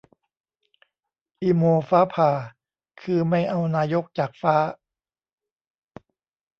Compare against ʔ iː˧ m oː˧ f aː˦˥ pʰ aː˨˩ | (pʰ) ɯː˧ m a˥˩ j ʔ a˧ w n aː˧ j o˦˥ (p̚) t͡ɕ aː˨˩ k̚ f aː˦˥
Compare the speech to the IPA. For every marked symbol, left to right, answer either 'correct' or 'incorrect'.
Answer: incorrect, incorrect

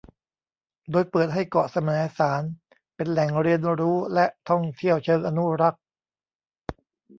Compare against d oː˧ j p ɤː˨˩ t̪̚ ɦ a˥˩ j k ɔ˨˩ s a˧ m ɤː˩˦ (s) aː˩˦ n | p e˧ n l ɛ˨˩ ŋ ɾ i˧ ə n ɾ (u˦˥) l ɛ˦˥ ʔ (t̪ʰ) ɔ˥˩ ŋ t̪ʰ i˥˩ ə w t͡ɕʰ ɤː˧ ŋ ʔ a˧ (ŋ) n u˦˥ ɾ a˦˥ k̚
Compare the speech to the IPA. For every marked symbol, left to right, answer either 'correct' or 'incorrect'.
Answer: correct, incorrect, correct, incorrect

